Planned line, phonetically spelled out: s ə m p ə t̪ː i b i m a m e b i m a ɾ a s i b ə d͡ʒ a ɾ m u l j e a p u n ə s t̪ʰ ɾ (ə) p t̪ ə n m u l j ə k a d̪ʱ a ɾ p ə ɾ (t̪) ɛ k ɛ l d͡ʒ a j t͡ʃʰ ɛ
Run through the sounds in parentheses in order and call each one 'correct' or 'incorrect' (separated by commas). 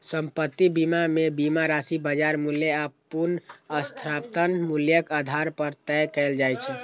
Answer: incorrect, correct